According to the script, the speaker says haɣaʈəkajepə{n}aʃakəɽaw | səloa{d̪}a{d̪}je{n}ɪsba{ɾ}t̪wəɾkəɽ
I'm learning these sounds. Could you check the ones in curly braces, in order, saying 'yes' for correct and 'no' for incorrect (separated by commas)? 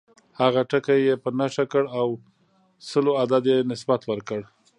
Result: yes, yes, yes, yes, no